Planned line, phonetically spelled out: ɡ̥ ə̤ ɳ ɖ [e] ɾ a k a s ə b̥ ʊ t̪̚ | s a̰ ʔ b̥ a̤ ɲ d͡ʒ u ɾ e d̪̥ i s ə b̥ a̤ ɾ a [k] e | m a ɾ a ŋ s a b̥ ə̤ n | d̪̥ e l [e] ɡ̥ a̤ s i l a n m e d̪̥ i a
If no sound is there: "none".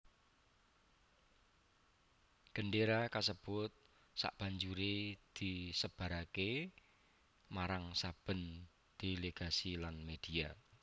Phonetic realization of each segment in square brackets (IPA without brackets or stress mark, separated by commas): e, k, e